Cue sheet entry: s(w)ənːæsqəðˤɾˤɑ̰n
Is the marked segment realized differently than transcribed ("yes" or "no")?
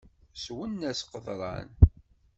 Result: no